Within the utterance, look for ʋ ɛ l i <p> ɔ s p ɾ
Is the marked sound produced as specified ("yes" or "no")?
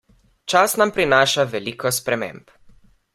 no